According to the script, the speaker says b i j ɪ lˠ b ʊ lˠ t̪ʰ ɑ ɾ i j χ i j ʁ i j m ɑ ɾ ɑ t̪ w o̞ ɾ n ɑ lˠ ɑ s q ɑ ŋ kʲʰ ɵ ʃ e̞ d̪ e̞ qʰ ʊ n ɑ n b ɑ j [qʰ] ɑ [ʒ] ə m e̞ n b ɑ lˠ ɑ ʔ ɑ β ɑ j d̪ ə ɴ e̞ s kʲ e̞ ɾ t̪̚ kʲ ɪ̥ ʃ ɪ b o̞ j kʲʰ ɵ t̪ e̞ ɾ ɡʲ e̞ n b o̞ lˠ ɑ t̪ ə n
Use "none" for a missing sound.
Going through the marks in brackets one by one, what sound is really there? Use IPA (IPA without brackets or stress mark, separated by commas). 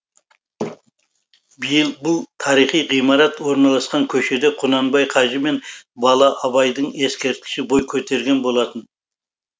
qʰ, ʒ